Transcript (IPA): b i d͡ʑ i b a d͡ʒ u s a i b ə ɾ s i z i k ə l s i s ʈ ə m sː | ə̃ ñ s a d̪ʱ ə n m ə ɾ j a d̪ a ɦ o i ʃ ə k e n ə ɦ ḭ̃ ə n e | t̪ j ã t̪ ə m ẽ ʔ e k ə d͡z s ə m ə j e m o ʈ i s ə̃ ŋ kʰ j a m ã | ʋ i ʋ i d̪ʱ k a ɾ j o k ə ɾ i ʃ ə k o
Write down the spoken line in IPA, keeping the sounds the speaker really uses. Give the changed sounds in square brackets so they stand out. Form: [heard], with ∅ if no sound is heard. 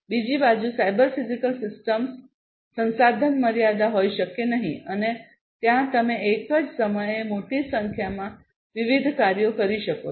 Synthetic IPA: b i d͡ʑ i b a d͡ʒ u s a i b ə ɾ [f] i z i k ə l s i s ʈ ə m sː | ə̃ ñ s a d̪ʱ ə n m ə ɾ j a d̪ a ɦ o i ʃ ə k e n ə ɦ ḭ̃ ə n e | t̪ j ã t̪ ə m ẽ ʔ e k ə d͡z s ə m ə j e m o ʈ i s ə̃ ŋ kʰ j a m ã | ʋ i ʋ i d̪ʱ k a ɾ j o k ə ɾ i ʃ ə k o

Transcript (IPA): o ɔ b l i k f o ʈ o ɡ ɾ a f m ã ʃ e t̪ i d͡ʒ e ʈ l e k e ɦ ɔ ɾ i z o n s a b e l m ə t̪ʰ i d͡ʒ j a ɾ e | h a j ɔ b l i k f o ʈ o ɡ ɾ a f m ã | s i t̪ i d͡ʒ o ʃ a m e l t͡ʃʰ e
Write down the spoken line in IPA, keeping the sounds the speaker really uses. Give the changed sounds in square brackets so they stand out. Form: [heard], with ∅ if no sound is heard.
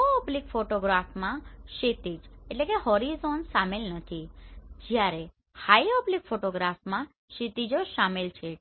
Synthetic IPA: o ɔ b l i k f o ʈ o ɡ ɾ a f m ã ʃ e t̪ i d͡ʒ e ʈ l e k e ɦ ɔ ɾ i z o n s a [m] e l [n] ə t̪ʰ i d͡ʒ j a ɾ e | h a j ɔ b l i k f o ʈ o ɡ ɾ a f m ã | [ʃ] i t̪ i d͡ʒ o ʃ a m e l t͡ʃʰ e

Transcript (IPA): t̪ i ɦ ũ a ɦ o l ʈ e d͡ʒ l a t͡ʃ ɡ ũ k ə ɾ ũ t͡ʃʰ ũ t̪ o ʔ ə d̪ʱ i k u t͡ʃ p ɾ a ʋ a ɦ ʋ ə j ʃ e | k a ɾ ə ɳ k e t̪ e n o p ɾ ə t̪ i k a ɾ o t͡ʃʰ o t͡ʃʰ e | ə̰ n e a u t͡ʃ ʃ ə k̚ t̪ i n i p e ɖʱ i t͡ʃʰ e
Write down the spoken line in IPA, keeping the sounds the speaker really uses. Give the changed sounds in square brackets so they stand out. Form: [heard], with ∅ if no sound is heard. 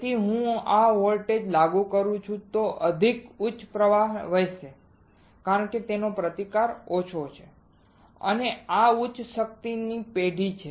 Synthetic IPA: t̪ i ɦ ũ a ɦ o l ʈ e d͡ʒ l a [∅] ɡ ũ k ə ɾ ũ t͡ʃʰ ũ t̪ o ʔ ə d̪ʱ i k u t͡ʃ p ɾ [ə] ʋ a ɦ ʋ ə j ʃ e | k a ɾ ə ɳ k e t̪ e n o p ɾ ə t̪ i k a ɾ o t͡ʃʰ o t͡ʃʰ e | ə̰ n e a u t͡ʃ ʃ ə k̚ t̪ i n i p e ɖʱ i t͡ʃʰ e

